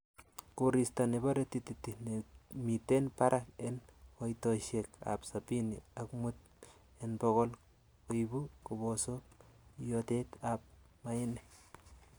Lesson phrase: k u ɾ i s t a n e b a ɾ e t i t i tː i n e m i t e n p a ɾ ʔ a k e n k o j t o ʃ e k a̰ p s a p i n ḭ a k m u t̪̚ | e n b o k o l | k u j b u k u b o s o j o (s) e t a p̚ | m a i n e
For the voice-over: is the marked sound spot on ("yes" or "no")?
no